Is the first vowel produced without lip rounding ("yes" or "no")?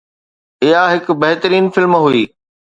yes